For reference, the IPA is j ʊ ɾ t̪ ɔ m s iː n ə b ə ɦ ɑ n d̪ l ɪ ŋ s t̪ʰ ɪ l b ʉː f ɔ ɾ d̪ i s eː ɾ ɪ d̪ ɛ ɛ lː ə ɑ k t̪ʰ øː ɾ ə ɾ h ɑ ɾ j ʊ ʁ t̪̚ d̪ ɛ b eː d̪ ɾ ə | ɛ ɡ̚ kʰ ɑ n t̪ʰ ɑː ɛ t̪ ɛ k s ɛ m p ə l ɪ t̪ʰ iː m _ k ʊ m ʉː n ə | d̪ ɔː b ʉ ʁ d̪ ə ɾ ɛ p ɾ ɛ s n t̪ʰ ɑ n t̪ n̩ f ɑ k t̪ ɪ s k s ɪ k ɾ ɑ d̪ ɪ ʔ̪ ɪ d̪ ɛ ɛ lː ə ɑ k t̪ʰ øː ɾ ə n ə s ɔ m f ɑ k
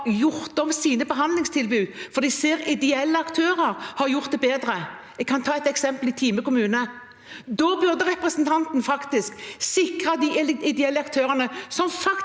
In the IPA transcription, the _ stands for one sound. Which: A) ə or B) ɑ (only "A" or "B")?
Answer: A